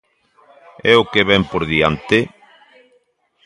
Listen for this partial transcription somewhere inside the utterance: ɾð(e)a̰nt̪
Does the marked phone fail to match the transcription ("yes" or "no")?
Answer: yes